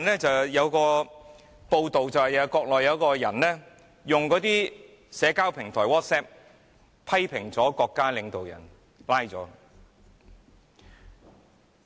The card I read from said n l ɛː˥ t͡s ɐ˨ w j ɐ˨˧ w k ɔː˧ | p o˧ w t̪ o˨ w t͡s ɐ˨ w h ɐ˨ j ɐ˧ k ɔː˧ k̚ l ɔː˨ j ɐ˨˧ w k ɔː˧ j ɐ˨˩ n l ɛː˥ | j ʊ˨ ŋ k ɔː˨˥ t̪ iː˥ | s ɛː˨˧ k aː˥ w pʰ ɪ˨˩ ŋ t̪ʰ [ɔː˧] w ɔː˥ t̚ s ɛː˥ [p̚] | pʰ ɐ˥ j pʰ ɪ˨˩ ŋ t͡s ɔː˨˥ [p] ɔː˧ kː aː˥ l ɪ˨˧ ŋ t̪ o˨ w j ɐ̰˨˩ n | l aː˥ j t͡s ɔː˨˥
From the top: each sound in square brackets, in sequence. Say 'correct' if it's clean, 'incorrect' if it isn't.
incorrect: ɔː˨˩, correct, incorrect: k

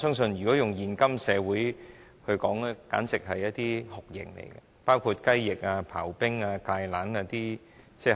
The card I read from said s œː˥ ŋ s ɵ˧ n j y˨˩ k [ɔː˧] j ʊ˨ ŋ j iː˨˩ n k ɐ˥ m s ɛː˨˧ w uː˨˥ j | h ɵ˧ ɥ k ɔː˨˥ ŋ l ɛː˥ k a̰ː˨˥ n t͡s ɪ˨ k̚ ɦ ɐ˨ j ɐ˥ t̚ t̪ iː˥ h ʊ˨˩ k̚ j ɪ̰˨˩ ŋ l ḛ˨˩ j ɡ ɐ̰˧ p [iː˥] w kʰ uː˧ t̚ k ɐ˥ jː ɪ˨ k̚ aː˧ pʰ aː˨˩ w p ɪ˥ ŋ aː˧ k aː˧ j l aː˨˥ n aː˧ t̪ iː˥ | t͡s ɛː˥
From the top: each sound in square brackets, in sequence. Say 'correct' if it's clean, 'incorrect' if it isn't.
incorrect: ɔː˨˥, incorrect: aː˥

